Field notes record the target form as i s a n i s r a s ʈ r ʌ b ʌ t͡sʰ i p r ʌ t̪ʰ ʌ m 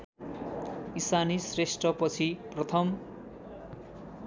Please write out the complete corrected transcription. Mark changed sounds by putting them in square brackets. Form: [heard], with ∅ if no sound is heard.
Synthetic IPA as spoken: i s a n i s r [e] s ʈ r ʌ [p] ʌ t͡sʰ i p r ʌ t̪ʰ ʌ m